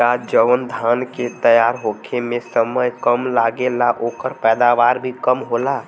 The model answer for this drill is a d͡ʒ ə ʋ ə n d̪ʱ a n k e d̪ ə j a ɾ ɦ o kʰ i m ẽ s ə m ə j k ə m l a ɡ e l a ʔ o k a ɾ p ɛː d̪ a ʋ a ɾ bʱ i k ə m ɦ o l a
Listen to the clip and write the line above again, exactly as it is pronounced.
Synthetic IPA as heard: a d͡ʒ ə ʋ ə n d̪ʱ a n k e t̪ ə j a ɾ ɦ o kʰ e m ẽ s ə m ə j k ə m l a ɡ e l a ʔ o k ə ɾ p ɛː d̪ a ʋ a ɾ bʱ i k ə m ɦ o l a